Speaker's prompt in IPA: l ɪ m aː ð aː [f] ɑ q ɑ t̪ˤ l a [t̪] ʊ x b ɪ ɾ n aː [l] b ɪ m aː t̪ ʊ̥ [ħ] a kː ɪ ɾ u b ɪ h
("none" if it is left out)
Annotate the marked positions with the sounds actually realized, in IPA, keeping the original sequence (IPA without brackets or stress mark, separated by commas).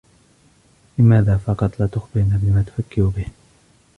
f, t̪, none, f